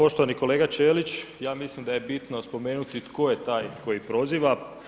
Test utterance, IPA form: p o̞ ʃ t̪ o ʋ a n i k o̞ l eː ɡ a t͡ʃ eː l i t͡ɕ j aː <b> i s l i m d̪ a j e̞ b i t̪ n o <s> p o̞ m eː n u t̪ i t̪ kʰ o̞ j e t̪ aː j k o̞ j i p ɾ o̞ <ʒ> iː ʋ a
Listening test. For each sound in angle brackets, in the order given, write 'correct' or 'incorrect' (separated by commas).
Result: incorrect, correct, incorrect